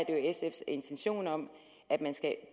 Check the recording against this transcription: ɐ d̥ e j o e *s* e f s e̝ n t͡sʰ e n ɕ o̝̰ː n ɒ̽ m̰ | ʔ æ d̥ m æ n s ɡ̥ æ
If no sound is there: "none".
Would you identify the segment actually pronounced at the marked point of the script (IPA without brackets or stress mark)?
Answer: s